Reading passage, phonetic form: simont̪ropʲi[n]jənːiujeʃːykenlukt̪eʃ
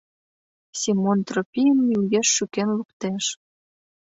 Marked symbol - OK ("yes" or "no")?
no